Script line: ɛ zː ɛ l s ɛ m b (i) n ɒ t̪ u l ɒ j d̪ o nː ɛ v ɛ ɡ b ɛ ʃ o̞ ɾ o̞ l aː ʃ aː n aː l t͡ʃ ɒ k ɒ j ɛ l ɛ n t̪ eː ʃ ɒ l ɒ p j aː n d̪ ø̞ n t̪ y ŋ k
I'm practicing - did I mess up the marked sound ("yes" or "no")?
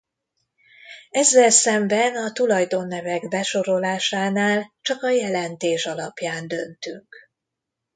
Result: yes